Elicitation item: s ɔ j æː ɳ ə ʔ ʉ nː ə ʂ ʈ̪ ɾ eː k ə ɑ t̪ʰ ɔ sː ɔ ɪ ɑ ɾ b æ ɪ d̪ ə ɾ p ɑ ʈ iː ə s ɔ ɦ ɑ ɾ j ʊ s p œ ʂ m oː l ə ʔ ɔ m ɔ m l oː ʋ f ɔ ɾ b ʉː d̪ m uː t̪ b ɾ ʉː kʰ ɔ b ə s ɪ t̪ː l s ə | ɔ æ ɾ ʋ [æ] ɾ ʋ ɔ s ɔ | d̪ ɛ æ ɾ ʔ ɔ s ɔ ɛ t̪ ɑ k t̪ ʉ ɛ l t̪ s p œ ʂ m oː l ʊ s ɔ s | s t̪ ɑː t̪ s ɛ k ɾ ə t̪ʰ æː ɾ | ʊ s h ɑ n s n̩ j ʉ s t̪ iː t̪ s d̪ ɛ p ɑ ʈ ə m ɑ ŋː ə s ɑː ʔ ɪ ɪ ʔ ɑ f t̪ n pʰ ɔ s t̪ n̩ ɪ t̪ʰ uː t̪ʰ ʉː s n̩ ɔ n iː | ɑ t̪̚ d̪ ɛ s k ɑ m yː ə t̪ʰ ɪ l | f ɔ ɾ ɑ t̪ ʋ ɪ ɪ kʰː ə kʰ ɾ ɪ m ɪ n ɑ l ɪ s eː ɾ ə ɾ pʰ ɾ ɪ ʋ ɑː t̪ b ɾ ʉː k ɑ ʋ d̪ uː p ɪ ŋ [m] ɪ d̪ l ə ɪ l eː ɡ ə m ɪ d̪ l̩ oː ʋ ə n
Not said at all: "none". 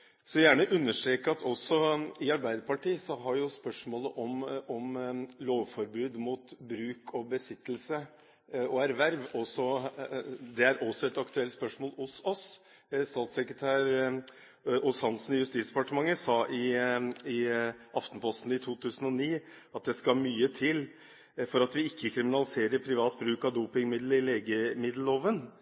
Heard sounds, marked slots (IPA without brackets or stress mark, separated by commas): æ, m